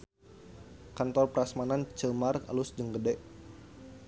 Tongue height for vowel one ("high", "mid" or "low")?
low